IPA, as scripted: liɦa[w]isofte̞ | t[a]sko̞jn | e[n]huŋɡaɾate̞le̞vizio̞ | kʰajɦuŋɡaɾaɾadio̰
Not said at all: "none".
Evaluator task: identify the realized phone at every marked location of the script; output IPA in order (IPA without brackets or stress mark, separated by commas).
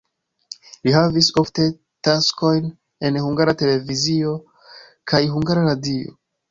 v, a, n